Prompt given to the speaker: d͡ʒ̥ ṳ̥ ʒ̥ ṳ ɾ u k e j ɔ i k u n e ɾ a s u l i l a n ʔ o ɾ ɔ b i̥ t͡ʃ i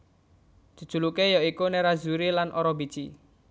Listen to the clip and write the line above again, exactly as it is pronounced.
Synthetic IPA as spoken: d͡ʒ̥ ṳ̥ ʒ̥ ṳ l u k e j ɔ i k u n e ɾ a z u ɾ i l a n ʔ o ɾ ɔ b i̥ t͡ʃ i

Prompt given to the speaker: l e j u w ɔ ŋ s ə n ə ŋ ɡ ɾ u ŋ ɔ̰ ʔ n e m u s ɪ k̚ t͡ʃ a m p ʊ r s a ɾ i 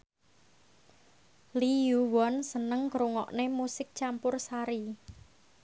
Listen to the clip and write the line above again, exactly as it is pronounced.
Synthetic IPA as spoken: l i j u w ɔ n s ə n ə ŋ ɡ ɾ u ŋ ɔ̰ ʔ n e m u s ɪ k̚ t͡ʃ a m p ʊ r s a ɾ i

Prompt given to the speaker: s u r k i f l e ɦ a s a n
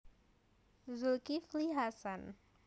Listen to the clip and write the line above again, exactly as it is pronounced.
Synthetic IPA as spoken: z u l k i f l i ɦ a s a n

